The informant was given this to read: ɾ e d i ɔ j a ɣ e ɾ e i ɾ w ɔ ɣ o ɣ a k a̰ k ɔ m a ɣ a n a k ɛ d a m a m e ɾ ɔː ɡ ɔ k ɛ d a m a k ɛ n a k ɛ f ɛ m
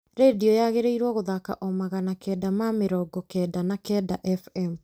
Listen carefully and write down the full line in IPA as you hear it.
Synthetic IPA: ɾ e d i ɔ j a ɣ e ɾ e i ɾ w ɔ ɣ o ð a k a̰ ʔ ɔ m a ɣ a n a k ɛ d a m a m e ɾ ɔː ɡ ɔ k ɛ d a n a k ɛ d a ʔ ɛ f ɛ m